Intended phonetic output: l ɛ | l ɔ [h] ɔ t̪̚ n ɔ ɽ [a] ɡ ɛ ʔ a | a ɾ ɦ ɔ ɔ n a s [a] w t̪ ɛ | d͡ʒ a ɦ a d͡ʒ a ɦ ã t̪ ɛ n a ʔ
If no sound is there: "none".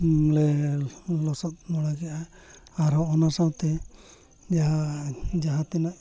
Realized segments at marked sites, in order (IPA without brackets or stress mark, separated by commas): s, a, a